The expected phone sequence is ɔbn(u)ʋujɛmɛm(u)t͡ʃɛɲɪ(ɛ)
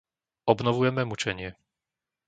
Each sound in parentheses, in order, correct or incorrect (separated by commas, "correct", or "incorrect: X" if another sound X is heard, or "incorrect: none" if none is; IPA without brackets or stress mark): incorrect: ɔ, correct, correct